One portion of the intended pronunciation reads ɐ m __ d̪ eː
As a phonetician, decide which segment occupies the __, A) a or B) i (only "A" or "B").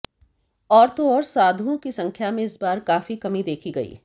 B